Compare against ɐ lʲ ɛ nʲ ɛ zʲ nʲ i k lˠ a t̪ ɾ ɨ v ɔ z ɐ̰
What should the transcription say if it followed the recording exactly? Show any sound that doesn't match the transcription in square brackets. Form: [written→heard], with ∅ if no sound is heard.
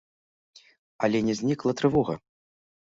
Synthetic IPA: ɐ lʲ ɛ nʲ ɛ zʲ nʲ i k lˠ [a→ɐ] t̪ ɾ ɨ v ɔ [z→ɣ] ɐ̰